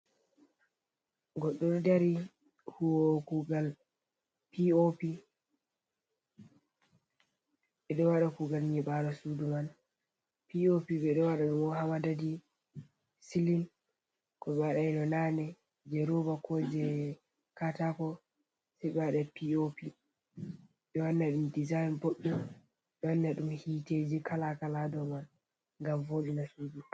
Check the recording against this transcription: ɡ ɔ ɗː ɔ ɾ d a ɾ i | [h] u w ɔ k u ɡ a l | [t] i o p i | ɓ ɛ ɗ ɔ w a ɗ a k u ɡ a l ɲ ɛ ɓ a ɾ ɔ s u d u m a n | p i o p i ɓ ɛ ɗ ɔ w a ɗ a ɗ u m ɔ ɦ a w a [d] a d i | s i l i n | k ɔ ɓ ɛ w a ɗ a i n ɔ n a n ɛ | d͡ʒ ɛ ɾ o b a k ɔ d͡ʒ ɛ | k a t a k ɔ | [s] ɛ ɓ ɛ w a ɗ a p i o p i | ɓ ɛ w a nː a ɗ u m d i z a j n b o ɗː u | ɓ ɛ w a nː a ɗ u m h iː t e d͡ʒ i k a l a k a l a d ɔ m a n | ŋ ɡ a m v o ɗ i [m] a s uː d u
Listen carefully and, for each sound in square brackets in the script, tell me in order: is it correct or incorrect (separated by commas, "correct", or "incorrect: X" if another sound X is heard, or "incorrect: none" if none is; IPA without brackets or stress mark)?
correct, incorrect: p, correct, correct, incorrect: n